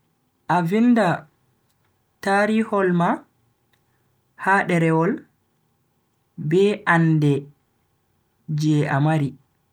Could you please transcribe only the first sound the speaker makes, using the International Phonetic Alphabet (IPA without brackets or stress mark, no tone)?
ʔ